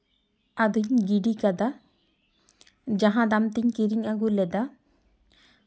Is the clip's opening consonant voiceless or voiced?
voiced